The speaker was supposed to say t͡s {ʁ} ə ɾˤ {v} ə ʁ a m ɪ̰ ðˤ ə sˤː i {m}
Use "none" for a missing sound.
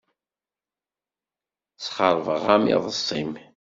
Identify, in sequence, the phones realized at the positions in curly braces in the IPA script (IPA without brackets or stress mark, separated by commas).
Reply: χ, v, m